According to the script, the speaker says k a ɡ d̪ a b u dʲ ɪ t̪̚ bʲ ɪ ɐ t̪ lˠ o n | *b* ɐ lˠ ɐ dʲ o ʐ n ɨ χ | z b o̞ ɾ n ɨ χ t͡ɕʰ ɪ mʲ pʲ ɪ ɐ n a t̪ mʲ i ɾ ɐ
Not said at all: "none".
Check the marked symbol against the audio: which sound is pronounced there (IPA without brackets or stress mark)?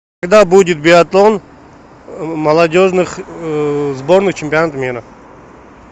m